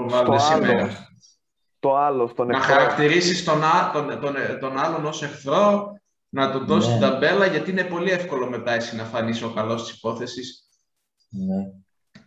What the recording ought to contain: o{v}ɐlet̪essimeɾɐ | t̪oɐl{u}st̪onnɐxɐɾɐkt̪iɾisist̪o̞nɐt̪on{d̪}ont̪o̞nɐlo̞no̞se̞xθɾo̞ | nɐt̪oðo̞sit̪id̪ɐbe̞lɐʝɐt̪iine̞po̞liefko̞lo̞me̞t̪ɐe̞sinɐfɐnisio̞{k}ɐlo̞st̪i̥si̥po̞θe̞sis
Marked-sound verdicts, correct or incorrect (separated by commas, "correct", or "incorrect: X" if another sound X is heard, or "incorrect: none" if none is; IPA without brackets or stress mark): correct, incorrect: o, incorrect: t̪, correct